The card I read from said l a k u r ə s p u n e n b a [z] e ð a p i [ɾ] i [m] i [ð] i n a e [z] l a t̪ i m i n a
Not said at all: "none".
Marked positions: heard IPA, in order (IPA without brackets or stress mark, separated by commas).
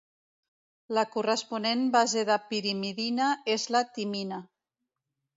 z, ɾ, m, ð, z